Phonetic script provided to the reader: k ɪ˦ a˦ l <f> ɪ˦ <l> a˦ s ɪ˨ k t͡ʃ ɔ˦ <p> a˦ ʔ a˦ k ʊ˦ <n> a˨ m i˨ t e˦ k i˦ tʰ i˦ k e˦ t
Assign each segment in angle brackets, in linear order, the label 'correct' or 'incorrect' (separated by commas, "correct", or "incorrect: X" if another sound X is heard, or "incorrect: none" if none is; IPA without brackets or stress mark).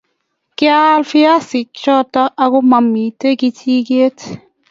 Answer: correct, incorrect: none, incorrect: t, incorrect: m